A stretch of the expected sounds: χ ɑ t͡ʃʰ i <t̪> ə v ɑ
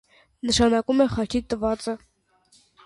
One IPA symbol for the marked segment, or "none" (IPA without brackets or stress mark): t̪